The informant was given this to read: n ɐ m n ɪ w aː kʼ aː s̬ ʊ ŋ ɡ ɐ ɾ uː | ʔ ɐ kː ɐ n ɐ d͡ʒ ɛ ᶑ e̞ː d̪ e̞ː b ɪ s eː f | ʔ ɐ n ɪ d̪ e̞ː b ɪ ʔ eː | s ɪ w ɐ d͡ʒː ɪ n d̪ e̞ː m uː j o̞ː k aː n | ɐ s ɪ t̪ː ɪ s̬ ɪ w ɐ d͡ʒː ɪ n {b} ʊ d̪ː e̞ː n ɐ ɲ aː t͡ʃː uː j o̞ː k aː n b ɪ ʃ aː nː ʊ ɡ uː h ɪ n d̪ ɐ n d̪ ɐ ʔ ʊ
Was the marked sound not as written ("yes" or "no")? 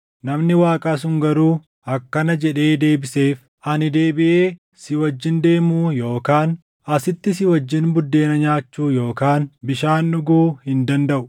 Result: no